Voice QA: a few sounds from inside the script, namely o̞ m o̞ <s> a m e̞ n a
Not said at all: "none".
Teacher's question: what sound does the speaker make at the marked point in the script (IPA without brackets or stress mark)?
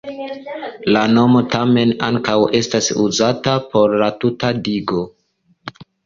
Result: t